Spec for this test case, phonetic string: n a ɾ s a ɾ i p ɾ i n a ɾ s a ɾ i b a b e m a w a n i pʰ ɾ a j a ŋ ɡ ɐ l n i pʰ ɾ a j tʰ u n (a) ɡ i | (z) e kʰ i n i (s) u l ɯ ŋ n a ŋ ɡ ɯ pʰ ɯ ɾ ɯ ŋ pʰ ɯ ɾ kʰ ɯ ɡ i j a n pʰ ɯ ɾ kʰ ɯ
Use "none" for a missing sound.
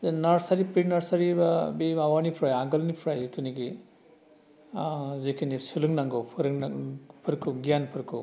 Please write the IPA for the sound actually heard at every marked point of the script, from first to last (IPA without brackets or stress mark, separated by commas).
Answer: i, z, s